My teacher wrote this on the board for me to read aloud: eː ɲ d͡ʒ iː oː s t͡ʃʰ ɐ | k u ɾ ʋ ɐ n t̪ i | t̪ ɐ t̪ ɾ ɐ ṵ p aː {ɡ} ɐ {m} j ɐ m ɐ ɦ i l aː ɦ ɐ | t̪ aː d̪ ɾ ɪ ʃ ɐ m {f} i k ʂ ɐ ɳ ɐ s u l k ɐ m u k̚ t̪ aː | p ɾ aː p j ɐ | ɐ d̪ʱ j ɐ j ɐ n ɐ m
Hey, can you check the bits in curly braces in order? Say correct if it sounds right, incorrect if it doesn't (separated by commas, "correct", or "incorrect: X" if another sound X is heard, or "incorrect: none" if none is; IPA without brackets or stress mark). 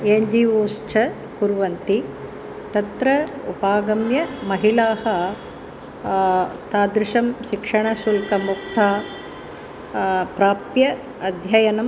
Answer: correct, correct, incorrect: ʃ